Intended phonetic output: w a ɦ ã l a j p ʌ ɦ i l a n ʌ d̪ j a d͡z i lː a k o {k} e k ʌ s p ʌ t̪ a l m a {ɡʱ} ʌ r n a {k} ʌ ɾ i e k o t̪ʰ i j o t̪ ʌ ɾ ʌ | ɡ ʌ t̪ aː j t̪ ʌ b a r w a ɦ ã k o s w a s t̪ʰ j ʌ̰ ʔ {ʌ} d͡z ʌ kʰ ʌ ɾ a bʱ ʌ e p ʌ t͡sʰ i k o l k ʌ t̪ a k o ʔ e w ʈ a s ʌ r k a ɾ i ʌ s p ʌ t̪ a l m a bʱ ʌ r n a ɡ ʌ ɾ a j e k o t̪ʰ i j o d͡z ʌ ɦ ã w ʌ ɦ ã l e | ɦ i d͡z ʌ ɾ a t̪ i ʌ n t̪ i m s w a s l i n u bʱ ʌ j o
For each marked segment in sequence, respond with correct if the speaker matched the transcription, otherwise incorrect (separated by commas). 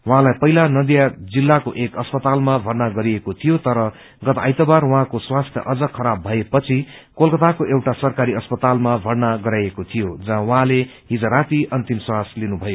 incorrect, incorrect, incorrect, correct